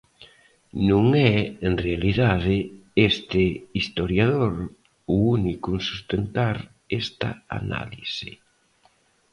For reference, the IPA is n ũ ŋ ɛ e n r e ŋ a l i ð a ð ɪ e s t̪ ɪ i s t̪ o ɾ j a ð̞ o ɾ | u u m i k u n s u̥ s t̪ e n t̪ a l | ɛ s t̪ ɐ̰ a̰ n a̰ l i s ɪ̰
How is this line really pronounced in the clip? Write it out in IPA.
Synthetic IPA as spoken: n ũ ŋ ɛ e n r e a l i ð a ð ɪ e s t̪ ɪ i s t̪ o ɾ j a ð̞ o ɾ | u u n i k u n s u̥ s t̪ e n t̪ a ɾ | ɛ s t̪ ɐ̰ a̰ n a̰ l i s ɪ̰